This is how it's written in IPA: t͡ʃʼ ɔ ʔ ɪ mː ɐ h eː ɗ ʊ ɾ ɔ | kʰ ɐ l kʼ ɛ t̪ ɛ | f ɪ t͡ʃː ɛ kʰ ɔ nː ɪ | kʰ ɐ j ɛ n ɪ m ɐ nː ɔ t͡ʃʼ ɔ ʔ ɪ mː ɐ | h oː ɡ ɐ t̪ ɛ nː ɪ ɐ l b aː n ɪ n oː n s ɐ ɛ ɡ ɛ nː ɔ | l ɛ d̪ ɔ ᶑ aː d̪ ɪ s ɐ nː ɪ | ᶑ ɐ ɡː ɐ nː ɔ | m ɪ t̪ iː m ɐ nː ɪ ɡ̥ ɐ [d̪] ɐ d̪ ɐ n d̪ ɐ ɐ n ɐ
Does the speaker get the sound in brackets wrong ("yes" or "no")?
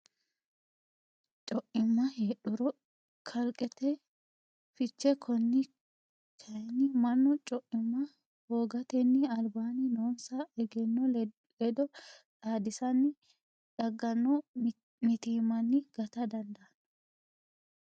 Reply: yes